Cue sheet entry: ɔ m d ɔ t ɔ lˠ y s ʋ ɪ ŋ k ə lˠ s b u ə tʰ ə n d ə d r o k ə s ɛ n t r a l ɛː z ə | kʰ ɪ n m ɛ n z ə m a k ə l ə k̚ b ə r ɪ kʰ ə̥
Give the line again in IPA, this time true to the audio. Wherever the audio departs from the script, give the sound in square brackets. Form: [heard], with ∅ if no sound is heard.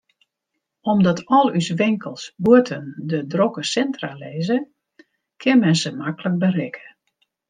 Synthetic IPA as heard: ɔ m d ɔ t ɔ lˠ y s ʋ ɪ ŋ k ə lˠ s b u ə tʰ ə n d ə d r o k ə s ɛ n t r a l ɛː z ə | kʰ ɪ n m ɛ n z ə m a k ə l ə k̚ b ə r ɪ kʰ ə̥